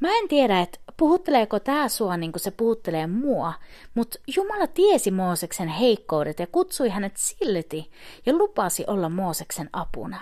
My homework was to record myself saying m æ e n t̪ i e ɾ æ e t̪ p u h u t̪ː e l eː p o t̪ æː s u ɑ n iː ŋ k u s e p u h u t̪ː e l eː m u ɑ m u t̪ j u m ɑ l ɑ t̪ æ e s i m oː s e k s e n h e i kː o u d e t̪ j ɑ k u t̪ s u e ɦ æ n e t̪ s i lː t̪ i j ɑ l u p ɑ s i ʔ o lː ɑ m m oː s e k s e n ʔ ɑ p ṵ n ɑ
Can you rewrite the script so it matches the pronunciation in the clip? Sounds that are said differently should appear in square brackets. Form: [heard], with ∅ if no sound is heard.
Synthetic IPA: m æ e n t̪ i e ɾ æ e t̪ p u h u t̪ː e l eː [k] o t̪ æː s u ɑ n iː ŋ k u s e p u h u t̪ː e l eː m u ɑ m u t̪ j u m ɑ l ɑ t̪ [i] e s i m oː s e k s e n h e i kː o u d e t̪ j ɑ k u t̪ s u [i] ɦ æ n e t̪ s i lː t̪ i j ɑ l u p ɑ s i ʔ o lː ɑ m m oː s e k s e n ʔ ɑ p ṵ n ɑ